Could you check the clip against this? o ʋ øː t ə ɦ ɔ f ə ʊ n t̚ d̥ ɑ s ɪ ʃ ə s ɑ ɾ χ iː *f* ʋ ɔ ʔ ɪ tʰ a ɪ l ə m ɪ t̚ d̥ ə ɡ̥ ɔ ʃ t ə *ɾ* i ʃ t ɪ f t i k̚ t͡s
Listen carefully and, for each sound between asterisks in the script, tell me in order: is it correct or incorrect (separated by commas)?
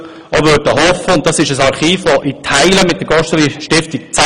correct, incorrect